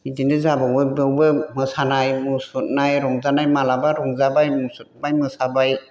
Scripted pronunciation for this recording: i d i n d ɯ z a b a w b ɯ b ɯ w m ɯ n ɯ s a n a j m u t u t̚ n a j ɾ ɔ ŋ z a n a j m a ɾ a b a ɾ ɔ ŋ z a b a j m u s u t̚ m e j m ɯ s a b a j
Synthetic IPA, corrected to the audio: i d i n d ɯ z a b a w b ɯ b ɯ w b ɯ m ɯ s a n a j m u s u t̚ n a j ɾ ɔ ŋ z a n a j m a l a b a ɾ ɔ ŋ z a b a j m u s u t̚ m a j m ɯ s a b a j